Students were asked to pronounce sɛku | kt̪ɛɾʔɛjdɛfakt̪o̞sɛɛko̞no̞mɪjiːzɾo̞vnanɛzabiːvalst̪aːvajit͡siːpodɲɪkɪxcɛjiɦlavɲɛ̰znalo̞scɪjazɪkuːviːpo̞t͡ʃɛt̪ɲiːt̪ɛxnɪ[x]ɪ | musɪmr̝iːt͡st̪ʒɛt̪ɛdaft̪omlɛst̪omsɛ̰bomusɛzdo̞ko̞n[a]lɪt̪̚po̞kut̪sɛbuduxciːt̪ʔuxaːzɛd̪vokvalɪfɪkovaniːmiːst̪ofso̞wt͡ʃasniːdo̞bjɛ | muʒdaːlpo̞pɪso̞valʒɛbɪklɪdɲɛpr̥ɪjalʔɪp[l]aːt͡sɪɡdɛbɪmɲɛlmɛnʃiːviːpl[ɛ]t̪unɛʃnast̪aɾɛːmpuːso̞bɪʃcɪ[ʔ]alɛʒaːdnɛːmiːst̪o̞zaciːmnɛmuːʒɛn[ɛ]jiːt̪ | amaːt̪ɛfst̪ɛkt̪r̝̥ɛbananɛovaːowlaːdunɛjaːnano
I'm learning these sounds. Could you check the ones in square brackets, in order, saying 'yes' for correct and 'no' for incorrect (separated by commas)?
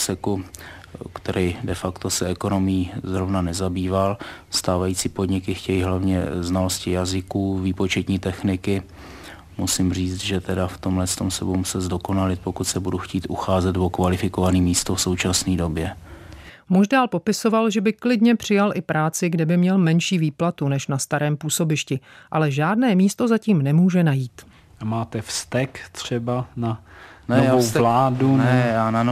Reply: no, yes, no, no, yes, no